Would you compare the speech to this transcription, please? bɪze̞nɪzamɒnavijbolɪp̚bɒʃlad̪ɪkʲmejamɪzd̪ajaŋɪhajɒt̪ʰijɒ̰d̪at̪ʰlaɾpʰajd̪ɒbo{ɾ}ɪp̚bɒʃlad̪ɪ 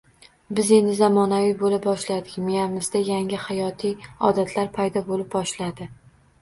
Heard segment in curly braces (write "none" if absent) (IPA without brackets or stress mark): l